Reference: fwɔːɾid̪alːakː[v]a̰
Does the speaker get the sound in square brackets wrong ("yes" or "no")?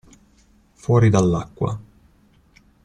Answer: yes